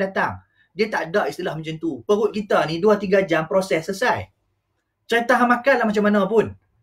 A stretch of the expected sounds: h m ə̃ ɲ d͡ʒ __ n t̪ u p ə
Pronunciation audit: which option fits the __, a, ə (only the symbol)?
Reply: ə